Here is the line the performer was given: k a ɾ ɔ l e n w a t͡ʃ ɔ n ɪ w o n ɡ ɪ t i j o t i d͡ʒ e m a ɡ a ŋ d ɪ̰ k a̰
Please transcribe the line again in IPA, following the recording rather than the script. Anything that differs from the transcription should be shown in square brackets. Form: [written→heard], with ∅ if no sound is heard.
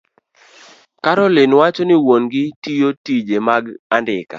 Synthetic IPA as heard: k a ɾ ɔ l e n w a t͡ʃ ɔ n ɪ w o n ɡ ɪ t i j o t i d͡ʒ e m a ɡ a [ŋ→n] d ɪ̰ k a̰